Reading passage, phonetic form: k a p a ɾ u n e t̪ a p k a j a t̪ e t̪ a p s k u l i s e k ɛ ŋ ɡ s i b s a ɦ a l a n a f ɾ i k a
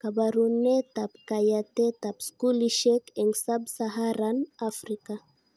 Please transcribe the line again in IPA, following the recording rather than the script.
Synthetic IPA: k a b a ɾ u n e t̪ a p k a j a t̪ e t̪ a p s k u l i ʃ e k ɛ ŋ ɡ s a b s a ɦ a ɾ a n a f ɾ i k a

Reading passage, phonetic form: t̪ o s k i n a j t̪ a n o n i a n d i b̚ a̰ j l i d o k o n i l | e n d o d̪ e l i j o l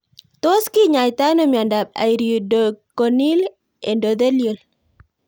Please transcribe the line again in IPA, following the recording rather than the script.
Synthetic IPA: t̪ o s k i ɲ a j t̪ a n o m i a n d a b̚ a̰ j ɾ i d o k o n i l | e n d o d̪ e l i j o l

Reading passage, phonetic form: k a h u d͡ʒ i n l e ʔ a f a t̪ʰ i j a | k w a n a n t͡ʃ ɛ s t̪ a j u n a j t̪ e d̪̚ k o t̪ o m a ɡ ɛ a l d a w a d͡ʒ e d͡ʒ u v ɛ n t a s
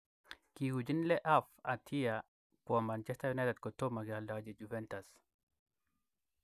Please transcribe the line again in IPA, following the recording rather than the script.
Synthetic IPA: k i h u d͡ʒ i n l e ʔ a f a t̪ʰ i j a | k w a m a n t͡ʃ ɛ s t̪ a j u n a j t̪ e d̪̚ k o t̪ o m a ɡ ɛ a l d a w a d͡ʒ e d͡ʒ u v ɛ n t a s

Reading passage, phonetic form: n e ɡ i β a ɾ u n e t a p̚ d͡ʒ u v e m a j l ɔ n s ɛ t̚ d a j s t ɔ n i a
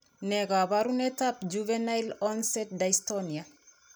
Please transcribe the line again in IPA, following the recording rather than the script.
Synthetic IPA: n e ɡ a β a ɾ u n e t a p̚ d͡ʒ u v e n a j l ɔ n s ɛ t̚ d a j s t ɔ n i a

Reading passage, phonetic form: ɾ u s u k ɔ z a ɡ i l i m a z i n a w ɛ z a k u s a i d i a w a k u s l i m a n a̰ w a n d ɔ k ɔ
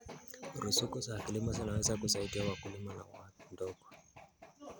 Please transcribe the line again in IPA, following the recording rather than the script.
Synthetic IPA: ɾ u s u k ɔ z a k i l i m a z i n a w ɛ z a k u s a i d i a w a k u l i m a n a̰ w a n d ɔ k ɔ

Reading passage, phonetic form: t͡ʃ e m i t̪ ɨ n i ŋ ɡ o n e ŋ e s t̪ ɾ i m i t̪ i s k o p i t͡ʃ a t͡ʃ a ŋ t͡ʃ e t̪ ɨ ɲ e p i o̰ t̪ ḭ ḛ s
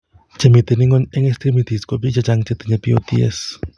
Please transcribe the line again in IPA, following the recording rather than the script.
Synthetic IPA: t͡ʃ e m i t̪ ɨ n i ŋ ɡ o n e ŋ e s t̪ ɾ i m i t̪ i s k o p i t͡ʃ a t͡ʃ a ŋ t͡ʃ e t̪ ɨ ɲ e p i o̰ t̪ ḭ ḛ s

